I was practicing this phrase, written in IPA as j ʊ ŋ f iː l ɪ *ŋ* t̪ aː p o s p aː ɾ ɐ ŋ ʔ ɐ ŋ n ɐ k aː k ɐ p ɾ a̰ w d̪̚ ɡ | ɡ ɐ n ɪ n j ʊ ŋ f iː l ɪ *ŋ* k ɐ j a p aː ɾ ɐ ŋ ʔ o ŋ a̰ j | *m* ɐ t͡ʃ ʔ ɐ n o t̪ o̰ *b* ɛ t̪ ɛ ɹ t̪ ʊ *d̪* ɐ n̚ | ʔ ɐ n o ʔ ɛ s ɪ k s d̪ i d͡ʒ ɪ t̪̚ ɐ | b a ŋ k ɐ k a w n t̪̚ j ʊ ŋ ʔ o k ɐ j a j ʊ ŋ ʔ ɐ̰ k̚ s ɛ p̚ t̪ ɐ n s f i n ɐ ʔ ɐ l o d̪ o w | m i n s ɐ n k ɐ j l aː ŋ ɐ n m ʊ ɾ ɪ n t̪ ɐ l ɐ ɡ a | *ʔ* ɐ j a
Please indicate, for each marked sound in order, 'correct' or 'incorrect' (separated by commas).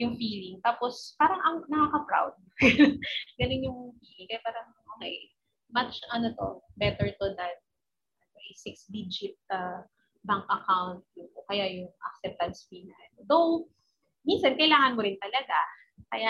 correct, correct, correct, correct, correct, incorrect